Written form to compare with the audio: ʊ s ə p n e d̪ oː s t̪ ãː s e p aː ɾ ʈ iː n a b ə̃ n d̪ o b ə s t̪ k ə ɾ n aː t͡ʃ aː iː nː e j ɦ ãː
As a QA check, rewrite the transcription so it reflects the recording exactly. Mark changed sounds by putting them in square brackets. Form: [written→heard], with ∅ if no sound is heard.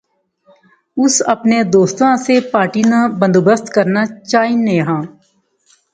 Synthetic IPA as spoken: ʊ s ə p n e d̪ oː s t̪ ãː s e p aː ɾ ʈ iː n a b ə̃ n d̪ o b ə s t̪ k ə ɾ n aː t͡ʃ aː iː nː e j ɦ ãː